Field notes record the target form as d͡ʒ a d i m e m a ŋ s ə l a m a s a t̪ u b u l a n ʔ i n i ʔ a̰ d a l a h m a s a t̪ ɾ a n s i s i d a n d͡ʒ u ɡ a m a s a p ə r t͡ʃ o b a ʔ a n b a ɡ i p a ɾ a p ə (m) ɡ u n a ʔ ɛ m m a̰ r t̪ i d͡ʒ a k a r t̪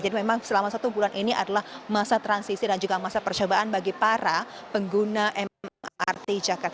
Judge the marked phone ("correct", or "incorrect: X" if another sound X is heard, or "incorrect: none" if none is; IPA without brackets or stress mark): incorrect: ŋ